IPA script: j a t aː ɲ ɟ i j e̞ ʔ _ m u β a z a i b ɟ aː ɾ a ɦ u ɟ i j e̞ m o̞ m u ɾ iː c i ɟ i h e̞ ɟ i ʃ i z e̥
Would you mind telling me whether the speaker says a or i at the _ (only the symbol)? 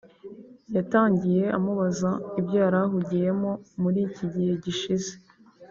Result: a